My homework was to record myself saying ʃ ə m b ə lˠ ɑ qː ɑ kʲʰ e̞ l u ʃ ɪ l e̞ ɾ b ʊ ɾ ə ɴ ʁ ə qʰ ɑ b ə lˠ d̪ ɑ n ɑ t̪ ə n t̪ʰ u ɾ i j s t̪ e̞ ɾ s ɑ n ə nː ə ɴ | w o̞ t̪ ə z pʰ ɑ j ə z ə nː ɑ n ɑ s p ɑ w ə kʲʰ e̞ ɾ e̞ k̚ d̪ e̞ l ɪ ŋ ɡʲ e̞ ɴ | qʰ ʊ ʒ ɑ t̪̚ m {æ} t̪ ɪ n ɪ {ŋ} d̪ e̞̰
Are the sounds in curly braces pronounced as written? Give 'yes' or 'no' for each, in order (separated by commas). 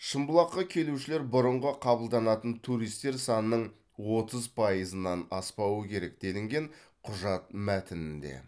yes, no